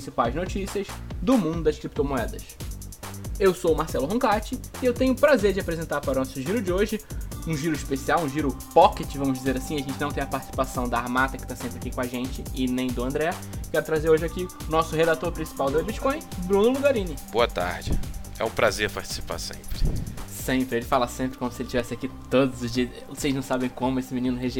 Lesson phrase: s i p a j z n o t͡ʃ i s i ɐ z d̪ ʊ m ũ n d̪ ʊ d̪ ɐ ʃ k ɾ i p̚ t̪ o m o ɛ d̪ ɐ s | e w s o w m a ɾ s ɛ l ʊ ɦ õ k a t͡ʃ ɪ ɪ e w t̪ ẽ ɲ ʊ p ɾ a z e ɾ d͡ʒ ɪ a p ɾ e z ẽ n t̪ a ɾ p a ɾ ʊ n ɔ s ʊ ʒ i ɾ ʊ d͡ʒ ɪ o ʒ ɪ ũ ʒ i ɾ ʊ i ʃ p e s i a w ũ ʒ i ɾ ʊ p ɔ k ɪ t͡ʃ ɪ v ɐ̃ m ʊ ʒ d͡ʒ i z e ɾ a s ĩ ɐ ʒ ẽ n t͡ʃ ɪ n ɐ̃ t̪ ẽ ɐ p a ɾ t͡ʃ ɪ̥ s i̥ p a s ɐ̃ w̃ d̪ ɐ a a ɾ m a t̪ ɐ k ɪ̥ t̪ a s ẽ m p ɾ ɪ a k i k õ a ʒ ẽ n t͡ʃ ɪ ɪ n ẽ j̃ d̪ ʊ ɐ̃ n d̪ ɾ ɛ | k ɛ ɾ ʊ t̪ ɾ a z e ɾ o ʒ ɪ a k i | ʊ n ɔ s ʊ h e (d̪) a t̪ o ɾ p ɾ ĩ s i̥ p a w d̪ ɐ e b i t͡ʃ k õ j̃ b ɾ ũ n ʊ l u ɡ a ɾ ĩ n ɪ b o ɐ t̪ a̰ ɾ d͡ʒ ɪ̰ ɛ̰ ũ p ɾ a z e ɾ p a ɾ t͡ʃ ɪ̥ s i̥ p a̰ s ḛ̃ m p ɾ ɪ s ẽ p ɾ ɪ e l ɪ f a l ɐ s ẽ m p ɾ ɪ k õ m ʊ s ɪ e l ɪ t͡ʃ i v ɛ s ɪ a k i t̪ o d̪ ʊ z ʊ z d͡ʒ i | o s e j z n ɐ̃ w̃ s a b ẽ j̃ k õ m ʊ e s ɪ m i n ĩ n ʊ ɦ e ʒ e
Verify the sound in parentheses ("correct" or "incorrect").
correct